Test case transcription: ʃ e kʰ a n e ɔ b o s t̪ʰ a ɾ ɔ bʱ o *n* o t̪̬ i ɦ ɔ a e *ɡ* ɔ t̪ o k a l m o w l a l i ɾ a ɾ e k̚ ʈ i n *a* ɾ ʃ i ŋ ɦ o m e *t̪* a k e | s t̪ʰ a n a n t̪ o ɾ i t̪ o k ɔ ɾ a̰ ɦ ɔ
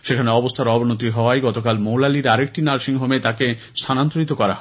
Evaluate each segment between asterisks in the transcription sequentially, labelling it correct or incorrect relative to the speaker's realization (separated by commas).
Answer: correct, correct, correct, correct